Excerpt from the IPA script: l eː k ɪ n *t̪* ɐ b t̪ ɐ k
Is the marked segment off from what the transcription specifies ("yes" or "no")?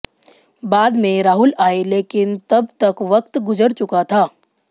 no